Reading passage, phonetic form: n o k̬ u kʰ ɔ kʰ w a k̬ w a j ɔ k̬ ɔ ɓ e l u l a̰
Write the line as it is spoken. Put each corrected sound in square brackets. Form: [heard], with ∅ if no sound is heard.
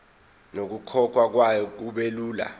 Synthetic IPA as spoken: n o k̬ u kʰ ɔ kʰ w a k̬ w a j ɔ k̬ [u] ɓ e l [uː] l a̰

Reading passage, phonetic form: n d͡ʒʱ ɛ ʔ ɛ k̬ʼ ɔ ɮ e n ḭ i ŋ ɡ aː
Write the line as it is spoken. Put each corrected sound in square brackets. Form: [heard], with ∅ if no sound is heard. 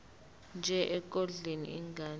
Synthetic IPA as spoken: n d͡ʒʱ ɛ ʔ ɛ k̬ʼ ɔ ɮ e n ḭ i ŋ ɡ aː

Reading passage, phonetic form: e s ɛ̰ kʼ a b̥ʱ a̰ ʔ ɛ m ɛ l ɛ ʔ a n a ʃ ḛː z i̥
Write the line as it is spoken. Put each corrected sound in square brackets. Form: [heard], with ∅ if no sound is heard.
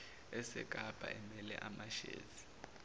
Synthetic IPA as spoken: [ɛ] s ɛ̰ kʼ a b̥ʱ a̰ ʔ ɛ m ɛ l ɛ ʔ a [m] a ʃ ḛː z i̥

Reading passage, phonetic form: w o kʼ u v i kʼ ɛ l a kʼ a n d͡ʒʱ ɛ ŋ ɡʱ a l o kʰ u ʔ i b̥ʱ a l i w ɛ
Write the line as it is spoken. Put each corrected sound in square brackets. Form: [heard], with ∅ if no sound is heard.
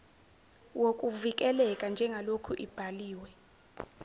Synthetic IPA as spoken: w o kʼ u v i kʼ ɛ l [ɛ] kʼ a n d͡ʒʱ ɛ ŋ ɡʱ a l o kʰ u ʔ i b̥ʱ a l [iː] w ɛ

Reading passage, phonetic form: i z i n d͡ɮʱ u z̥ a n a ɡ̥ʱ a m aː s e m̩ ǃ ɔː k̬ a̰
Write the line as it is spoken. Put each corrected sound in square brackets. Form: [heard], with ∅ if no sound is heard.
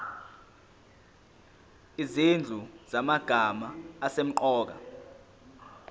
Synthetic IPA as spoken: i z i n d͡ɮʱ u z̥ a [m] a ɡ̥ʱ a m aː s e m̩ ǃ ɔː k̬ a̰

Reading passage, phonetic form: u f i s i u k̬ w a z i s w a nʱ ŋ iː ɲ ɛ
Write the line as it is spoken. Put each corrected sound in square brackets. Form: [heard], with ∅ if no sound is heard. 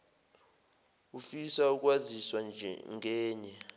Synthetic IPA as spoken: u f i s [a] u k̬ w a z i s w a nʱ ŋ [ɛː] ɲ ɛ

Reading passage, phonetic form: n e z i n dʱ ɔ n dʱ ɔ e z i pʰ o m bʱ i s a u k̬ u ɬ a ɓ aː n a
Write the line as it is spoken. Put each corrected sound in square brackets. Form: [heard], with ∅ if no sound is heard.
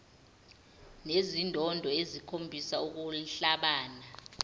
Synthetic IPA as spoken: n e z i n dʱ ɔ n dʱ ɔ e z i [kʰ] o m bʱ i s a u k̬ u ɬ a ɓ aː n a

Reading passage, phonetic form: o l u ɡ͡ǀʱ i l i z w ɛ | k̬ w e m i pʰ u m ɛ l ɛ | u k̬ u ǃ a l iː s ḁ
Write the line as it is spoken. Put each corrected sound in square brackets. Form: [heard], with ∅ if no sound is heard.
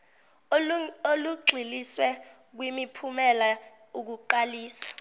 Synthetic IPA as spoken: o l u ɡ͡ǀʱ i l i [s] w ɛ | k̬ w [i] m i pʰ u m ɛ l [a] | u k̬ u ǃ a l iː s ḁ

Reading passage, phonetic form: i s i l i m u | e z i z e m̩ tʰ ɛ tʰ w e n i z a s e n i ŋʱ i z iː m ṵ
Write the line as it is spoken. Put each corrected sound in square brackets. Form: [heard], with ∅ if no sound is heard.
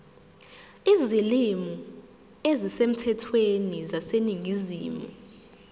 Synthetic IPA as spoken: i [z] i l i m u | e z i [s] e m̩ tʰ ɛ tʰ w e n i z a s e n i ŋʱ i z iː m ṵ

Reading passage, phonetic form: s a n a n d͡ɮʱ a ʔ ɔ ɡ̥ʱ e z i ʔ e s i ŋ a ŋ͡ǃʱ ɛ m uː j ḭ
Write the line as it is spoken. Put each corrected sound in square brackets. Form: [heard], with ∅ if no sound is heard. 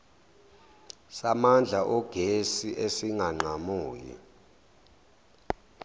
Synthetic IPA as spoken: s a [m] a n d͡ɮʱ a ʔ ɔ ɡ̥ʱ e [s] i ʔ e s i ŋ a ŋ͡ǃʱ [a] m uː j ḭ

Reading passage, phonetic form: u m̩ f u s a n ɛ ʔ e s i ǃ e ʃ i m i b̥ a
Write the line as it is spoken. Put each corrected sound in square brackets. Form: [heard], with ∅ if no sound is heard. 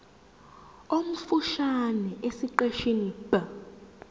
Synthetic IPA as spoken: [o] m̩ f u [ʃ] a n ɛ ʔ e s i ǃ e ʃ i [n] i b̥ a

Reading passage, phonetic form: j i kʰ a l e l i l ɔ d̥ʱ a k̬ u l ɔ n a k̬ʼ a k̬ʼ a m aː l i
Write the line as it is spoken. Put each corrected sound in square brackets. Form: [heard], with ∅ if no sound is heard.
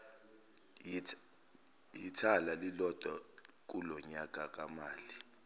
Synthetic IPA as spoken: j i [tʰ] a l [a] l i l ɔ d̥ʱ a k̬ u l ɔ [ɲ] a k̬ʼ a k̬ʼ a m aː l i

